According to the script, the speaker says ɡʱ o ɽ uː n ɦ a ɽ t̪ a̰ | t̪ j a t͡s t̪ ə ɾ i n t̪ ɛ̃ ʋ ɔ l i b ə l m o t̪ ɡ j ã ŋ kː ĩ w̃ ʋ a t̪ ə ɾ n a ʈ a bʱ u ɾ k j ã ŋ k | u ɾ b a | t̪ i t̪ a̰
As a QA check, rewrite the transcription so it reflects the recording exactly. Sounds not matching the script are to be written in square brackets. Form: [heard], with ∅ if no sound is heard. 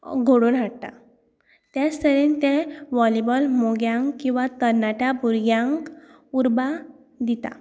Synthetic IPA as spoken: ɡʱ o ɽ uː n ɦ a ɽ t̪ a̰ | t̪ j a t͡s t̪ ə ɾ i n t̪ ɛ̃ ʋ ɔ l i b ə l m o [∅] ɡ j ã ŋ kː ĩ w̃ ʋ a t̪ ə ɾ n a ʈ a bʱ u ɾ [ɡ] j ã ŋ k | u ɾ b a | [d̪] i t̪ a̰